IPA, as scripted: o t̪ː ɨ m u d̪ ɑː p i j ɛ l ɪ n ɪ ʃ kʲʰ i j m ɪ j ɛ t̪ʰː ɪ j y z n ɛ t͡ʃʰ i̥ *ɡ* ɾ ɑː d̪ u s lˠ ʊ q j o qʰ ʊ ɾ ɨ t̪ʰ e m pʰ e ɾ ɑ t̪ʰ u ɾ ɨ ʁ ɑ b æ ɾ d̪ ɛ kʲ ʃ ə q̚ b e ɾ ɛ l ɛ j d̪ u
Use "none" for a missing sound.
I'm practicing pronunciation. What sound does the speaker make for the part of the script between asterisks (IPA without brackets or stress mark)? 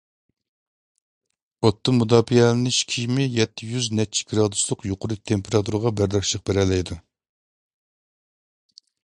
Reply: ɡ